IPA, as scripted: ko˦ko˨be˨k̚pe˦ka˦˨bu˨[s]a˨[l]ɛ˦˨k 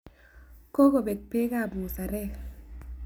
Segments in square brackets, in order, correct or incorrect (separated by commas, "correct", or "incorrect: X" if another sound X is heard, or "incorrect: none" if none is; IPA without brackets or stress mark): correct, incorrect: ɾ